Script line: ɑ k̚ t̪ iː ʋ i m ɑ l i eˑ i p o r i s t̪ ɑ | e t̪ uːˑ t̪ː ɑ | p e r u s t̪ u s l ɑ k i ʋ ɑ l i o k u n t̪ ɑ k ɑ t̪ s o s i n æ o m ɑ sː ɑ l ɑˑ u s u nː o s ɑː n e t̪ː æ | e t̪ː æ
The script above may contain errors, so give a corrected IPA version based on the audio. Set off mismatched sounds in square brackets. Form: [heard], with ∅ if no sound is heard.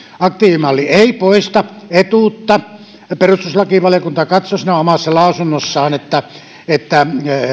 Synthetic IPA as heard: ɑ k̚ t̪ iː ʋ i m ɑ [lː] i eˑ i p o [∅] i s t̪ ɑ | e t̪ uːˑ t̪ː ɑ | p e r u s t̪ u s l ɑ k i ʋ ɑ l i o k u n t̪ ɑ k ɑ t̪ s o s i n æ o m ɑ sː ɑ l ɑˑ u s u nː o [sː] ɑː n e t̪ː æ | e t̪ː æ

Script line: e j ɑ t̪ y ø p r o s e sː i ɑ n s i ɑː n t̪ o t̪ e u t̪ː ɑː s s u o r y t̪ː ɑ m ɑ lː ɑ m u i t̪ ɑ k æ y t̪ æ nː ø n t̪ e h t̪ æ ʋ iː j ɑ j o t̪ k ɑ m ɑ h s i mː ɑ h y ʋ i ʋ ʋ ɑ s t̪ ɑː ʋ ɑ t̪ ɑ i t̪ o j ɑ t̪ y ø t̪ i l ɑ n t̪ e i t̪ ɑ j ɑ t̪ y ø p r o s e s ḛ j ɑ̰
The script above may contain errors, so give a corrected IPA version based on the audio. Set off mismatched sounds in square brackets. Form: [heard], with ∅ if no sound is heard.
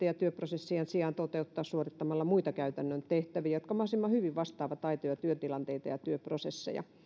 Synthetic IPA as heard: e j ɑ t̪ y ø p r o s e sː i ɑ n s i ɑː n t̪ o t̪ e u t̪ː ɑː s s u o r [i] t̪ː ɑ m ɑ lː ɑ m u i t̪ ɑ k æ y t̪ æ nː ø n t̪ e h t̪ æ ʋ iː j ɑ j o t̪ k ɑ m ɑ h s i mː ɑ h y ʋ i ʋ ʋ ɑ s t̪ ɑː ʋ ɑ t̪ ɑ i t̪ o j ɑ t̪ y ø t̪ i l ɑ n t̪ e i t̪ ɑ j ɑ t̪ y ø p r o s e [sː] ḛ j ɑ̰

